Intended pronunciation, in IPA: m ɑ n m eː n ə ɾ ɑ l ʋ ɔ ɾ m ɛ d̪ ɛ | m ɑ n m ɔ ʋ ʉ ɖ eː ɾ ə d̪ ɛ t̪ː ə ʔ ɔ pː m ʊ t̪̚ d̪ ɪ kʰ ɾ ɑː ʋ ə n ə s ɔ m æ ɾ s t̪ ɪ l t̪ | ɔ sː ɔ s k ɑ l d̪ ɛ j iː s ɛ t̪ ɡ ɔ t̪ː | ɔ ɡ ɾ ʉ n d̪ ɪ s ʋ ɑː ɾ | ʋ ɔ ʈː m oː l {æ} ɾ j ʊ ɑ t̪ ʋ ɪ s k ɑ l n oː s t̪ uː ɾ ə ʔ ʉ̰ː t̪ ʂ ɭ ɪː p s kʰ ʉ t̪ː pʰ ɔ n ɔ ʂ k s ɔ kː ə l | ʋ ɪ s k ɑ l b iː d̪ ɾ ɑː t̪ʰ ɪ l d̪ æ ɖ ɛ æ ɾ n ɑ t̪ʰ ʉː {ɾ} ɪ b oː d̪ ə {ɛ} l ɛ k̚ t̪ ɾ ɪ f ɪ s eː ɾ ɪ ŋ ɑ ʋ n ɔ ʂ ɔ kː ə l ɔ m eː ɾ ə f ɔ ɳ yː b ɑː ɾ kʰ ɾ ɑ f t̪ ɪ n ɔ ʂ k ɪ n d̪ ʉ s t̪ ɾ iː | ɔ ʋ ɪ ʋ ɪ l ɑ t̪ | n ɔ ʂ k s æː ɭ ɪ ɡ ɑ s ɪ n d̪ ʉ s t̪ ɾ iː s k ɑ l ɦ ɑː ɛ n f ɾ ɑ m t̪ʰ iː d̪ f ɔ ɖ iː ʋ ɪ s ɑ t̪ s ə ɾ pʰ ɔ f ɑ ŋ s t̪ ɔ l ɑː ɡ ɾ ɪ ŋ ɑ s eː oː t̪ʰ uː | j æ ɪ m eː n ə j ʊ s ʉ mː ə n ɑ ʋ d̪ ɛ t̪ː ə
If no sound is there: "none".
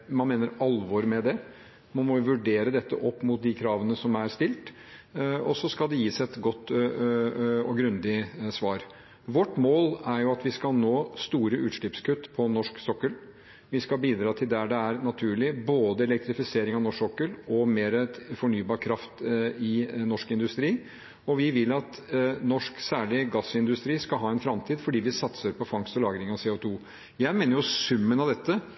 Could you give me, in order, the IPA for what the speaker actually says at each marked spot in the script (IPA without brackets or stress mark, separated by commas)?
æ, ɭ, ɛ